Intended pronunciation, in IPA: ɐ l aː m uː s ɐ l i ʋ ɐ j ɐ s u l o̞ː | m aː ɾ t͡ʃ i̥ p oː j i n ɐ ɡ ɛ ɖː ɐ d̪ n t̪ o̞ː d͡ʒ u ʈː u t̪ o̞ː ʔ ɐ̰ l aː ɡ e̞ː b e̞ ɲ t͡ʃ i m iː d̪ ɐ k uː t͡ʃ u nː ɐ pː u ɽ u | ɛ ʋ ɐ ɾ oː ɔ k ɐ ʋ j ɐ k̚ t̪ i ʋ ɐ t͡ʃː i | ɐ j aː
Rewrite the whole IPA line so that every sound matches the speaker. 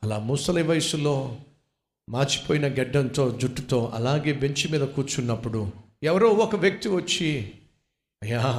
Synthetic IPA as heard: ɐ l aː m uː s ɐ l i ʋ ɐ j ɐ s u l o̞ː | m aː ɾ t͡ʃ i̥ p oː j i n ɐ ɡ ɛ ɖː ɐ n t̪ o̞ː d͡ʒ u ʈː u t̪ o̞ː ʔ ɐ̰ l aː ɡ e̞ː b e̞ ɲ t͡ʃ i m iː d̪ ɐ k uː t͡ʃ u nː ɐ pː u ɽ u | ɛ ʋ ɐ ɾ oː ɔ k ɐ ʋ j ɐ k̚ t̪ i ʋ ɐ t͡ʃː i | ɐ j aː